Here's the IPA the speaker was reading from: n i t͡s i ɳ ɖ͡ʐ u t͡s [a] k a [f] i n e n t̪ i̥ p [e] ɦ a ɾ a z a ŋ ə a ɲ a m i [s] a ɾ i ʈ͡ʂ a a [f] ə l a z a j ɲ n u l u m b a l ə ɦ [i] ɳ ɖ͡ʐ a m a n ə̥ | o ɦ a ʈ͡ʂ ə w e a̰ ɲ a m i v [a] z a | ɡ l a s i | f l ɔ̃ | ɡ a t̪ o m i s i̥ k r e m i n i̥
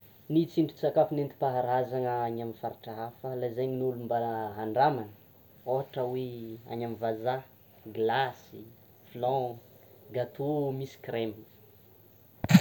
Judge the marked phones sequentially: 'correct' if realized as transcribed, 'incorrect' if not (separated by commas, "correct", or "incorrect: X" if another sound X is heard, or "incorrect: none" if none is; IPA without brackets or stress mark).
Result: correct, correct, incorrect: a, incorrect: f, correct, incorrect: a, correct